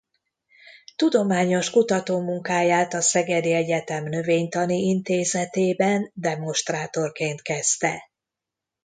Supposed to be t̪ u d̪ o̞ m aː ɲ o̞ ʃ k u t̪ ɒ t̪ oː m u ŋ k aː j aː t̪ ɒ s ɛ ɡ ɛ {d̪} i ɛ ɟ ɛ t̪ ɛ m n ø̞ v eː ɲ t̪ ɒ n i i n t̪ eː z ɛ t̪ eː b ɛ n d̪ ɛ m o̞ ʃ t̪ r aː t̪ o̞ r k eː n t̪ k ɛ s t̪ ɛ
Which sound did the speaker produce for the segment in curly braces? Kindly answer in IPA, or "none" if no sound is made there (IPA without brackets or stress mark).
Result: d̪